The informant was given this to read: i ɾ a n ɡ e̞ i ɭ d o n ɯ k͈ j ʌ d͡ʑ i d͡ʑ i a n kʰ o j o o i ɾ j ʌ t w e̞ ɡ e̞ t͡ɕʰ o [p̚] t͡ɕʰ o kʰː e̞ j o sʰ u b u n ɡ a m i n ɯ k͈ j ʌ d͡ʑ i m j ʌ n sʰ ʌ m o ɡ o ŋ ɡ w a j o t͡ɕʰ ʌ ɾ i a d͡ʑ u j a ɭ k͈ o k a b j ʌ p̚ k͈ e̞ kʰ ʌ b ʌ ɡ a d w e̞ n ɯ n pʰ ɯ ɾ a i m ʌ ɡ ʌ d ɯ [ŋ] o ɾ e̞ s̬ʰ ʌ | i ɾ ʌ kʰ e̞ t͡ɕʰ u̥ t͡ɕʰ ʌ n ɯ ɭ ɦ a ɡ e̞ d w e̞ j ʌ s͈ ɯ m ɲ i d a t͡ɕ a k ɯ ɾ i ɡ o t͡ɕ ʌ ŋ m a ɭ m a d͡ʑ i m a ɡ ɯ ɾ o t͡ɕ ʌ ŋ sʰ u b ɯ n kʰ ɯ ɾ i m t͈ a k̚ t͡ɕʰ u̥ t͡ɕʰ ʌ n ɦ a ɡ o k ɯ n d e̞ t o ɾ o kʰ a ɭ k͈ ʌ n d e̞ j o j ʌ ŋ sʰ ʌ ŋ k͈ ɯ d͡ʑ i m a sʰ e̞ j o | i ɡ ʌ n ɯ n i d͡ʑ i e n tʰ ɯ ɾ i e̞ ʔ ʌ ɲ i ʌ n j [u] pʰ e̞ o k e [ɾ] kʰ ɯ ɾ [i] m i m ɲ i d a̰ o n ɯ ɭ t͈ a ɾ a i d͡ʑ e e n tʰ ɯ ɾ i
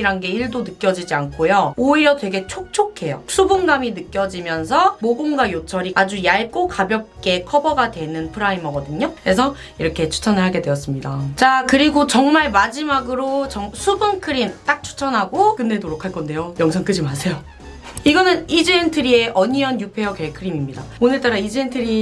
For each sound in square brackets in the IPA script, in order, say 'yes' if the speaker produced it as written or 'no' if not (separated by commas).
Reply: no, no, yes, no, yes